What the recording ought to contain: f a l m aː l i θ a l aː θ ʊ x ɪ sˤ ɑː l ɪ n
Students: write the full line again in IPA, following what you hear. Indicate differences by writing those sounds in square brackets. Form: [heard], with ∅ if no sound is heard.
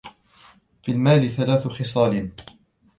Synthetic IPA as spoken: f [i] l m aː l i θ a l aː θ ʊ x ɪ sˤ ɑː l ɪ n